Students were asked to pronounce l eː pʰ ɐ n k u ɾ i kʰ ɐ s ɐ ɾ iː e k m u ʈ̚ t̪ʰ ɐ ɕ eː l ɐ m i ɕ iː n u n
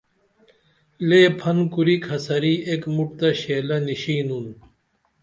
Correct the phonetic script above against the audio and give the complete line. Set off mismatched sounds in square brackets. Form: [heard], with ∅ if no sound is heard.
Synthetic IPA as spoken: l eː pʰ ɐ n k u ɾ i kʰ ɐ s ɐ ɾ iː e k m u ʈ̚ [t̪] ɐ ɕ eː l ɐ [n] i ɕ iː n u n

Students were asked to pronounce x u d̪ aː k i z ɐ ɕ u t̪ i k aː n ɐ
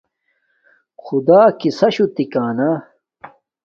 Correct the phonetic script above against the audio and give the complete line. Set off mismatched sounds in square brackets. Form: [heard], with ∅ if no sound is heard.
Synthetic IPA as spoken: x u d̪ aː k i [s] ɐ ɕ u t̪ i k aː n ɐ

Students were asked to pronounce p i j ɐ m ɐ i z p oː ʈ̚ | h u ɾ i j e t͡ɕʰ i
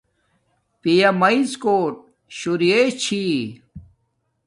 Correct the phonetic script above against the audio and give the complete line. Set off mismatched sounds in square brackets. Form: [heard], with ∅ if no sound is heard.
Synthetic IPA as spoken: p i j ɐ m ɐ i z [k] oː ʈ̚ | [ɕ] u ɾ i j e t͡ɕʰ i

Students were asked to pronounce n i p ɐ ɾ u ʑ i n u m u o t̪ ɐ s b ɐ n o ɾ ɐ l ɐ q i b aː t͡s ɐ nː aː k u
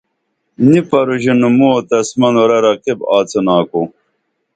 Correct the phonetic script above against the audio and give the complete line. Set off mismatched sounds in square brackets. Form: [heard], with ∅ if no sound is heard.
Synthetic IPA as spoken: n i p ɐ ɾ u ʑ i n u m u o t̪ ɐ s [m] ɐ n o ɾ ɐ [ɾ] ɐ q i b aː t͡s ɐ [n] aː k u

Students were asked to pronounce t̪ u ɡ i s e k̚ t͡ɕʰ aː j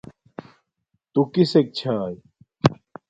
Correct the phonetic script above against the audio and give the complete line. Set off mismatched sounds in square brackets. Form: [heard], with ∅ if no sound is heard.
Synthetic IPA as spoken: t̪ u [k] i s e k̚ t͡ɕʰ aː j

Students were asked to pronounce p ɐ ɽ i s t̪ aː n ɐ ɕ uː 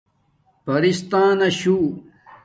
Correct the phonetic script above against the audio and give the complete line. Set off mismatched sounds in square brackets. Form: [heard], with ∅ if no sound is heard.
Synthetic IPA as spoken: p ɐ [ɾ] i s t̪ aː n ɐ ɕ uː

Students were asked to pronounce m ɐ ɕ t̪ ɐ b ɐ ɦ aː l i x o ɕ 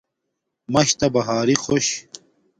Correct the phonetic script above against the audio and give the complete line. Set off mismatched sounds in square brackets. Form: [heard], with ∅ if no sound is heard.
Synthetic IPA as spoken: m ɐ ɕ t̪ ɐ b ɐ ɦ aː [ɾ] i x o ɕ

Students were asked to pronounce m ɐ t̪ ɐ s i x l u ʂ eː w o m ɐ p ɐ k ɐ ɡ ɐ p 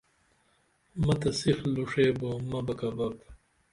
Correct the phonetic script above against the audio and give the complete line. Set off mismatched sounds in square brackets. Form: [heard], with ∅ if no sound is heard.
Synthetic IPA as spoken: m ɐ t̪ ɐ s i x l u ʂ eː [b] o m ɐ [b] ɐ k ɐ [b] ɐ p

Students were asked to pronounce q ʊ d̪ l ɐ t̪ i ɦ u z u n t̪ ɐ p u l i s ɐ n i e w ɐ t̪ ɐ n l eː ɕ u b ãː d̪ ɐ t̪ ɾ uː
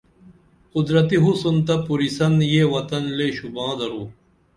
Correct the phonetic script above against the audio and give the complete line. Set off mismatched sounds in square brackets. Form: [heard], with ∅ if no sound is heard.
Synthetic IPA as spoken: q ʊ d̪ [ɾ] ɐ t̪ i ɦ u [s] u n t̪ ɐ p u [ɾ] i s ɐ n [j] e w ɐ t̪ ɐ n l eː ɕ u b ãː d̪ ɐ [∅] ɾ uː

